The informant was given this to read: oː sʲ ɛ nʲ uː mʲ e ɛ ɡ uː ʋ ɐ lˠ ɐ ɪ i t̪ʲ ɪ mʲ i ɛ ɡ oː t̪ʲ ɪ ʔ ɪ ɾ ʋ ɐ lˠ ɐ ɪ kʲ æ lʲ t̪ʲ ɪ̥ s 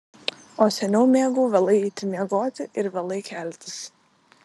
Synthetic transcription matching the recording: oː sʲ ɛ nʲ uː mʲ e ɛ ɡ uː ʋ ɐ lˠ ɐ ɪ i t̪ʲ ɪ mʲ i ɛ ɡ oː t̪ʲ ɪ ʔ ɪ ɾ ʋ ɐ lˠ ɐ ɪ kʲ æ lʲ t̪ʲ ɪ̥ s